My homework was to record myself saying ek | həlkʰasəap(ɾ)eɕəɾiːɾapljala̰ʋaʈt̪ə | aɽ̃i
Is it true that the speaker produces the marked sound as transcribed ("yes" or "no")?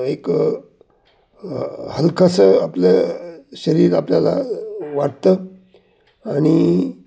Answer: no